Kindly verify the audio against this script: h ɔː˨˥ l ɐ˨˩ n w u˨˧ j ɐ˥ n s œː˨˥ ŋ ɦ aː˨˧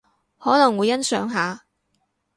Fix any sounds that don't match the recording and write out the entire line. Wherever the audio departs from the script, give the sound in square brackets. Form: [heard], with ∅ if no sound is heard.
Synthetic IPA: h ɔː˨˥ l ɐ˨˩ [ŋ] w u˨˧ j ɐ˥ n s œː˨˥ ŋ ɦ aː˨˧